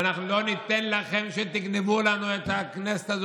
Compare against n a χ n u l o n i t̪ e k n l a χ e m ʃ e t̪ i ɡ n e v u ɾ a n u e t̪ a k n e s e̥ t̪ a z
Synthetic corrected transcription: n a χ n u l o n i t̪ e n l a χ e m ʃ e t̪ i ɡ n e v u l a n u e t̪ a k n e s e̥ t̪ a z